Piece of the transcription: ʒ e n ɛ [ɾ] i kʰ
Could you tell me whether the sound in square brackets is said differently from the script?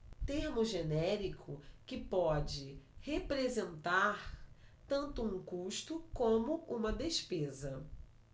no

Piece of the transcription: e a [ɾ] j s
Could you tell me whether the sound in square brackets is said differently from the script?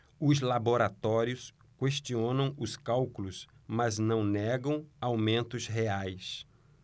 yes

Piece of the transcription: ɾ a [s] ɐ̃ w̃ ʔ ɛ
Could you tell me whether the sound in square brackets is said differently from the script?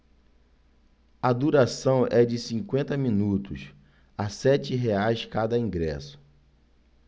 no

